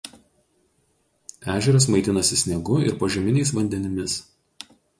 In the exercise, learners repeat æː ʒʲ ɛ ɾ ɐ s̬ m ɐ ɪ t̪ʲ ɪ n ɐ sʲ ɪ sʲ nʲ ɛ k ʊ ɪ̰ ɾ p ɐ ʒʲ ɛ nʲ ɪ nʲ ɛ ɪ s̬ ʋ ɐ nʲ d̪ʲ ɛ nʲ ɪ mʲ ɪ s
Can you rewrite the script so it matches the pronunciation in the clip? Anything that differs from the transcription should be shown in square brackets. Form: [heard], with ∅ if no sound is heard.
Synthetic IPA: æː ʒʲ ɛ ɾ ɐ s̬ m ɐ ɪ t̪ʲ ɪ n ɐ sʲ ɪ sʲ nʲ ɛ [ɡ] ʊ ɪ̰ ɾ p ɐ ʒʲ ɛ [mʲ] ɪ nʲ ɛ ɪ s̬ ʋ ɐ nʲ d̪ʲ ɛ nʲ ɪ mʲ ɪ s

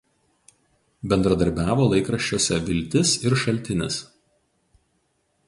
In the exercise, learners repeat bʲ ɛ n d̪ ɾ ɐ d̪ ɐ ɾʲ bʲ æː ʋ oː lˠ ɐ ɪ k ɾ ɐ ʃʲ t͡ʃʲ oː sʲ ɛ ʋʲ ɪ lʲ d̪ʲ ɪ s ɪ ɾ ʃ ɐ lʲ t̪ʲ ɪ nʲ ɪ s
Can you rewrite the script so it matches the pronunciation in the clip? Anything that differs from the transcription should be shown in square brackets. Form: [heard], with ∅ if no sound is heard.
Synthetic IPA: bʲ ɛ n d̪ ɾ ɐ d̪ ɐ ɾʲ bʲ æː ʋ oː lˠ ɐ ɪ k ɾ ɐ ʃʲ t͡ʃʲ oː sʲ ɛ ʋʲ ɪ lʲ [t̪ʲ] ɪ s ɪ ɾ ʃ ɐ lʲ t̪ʲ ɪ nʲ ɪ s

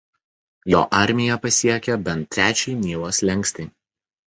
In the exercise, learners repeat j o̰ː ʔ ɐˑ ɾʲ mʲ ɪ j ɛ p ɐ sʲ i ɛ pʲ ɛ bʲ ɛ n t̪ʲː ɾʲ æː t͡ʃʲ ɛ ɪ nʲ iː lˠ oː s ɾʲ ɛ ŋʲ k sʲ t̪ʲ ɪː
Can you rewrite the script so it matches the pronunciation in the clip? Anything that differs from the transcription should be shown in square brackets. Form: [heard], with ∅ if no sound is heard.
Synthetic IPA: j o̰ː ʔ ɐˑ ɾʲ mʲ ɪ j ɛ p ɐ sʲ i ɛ [kʲ] ɛ bʲ ɛ n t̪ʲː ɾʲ æː t͡ʃʲ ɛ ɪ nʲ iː lˠ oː s [lʲ] ɛ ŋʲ k sʲ t̪ʲ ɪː

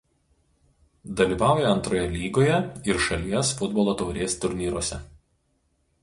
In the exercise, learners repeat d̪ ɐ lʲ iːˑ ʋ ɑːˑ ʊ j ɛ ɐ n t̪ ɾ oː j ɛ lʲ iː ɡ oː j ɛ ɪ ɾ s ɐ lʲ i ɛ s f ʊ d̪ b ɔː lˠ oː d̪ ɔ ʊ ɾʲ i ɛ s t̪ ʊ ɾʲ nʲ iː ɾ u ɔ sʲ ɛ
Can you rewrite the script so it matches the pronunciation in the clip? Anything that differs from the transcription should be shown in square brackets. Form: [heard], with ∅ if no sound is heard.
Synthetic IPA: d̪ ɐ lʲ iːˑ ʋ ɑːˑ ʊ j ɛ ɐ n t̪ ɾ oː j ɛ lʲ iː ɡ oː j ɛ ɪ ɾ [ʃ] ɐ lʲ i ɛ s f ʊ d̪ b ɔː lˠ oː [t̪] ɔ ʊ ɾʲ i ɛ s t̪ ʊ ɾʲ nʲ iː ɾ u ɔ sʲ ɛ

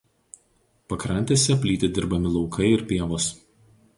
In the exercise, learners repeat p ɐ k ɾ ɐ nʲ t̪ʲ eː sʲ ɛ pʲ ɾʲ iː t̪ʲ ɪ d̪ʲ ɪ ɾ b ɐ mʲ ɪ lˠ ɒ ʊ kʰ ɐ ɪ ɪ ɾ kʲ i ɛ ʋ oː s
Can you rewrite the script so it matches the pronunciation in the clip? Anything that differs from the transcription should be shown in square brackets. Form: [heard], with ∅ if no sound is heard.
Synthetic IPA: p ɐ k ɾ ɐ nʲ t̪ʲ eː sʲ ɛ pʲ [lʲ] iː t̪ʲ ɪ d̪ʲ ɪ ɾ b ɐ mʲ ɪ lˠ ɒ ʊ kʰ ɐ ɪ ɪ ɾ [pʲ] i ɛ ʋ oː s

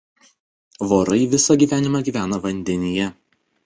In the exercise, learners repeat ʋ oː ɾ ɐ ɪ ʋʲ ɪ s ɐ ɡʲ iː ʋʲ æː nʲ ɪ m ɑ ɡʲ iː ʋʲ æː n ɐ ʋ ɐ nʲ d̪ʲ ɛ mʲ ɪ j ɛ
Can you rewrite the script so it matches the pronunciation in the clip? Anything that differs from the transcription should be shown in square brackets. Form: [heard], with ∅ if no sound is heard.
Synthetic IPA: ʋ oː ɾ ɐ ɪ ʋʲ ɪ s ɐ ɡʲ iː ʋʲ æː nʲ ɪ m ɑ ɡʲ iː ʋʲ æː n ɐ ʋ ɐ nʲ d̪ʲ ɛ [nʲ] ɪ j ɛ

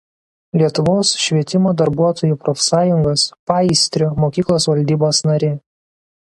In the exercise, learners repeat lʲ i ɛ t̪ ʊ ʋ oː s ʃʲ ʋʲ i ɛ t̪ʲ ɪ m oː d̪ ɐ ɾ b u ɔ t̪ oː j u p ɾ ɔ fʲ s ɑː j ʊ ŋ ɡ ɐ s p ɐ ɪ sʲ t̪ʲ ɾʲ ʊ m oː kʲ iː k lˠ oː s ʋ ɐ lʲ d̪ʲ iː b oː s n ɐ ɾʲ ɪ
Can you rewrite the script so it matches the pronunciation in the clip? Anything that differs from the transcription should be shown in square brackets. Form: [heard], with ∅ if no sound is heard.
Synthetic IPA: lʲ i ɛ t̪ ʊ ʋ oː s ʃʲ ʋʲ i ɛ t̪ʲ ɪ m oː d̪ ɐ ɾ b u ɔ t̪ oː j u p ɾ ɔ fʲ s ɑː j ʊ ŋ ɡ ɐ s p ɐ ɪ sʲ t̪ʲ ɾʲ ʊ m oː kʲ iː k lˠ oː s ʋ ɐ lʲ d̪ʲ iː b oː s n ɐ ɾʲ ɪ

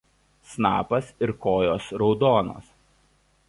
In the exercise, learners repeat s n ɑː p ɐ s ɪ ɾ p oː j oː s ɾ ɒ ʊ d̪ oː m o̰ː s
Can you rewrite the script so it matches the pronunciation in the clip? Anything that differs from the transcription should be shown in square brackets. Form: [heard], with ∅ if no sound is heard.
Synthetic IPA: s n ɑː p ɐ s ɪ ɾ [k] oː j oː s ɾ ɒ ʊ d̪ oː [n] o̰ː s

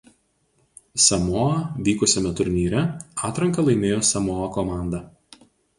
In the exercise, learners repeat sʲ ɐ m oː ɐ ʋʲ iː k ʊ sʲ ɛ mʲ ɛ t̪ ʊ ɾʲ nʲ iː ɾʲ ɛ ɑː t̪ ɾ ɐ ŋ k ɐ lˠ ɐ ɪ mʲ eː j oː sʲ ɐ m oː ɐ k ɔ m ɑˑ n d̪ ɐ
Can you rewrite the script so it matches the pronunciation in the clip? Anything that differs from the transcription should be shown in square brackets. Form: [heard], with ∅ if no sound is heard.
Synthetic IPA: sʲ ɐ m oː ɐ ʋʲ iː k ʊ sʲ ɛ mʲ ɛ t̪ ʊ ɾʲ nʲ iː ɾʲ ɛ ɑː t̪ ɾ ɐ ŋ k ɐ lˠ ɐ ɪ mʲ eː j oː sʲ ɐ m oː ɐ k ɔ m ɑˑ n d̪ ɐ

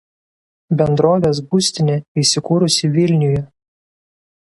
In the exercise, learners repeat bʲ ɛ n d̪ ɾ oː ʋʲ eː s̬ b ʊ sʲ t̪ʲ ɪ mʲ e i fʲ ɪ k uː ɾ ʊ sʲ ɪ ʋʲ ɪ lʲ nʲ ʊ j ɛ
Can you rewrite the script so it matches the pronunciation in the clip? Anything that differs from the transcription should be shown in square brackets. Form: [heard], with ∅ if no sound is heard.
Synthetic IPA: bʲ ɛ n d̪ ɾ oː ʋʲ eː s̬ b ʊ sʲ t̪ʲ ɪ [nʲ] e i [sʲ] ɪ k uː ɾ ʊ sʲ ɪ ʋʲ ɪ lʲ nʲ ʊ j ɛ

